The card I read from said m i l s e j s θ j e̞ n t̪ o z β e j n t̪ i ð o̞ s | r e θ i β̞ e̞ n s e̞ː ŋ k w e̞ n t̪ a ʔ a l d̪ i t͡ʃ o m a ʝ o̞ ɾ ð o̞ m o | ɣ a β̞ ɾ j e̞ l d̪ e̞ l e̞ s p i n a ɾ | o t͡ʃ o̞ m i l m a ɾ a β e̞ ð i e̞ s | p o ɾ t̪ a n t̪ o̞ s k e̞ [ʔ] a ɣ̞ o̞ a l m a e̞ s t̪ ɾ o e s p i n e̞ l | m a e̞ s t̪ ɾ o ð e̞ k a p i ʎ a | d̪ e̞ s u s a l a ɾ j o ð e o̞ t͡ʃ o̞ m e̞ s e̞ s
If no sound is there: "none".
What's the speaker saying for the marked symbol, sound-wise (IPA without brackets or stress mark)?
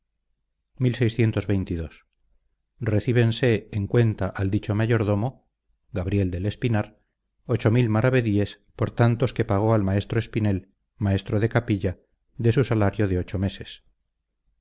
p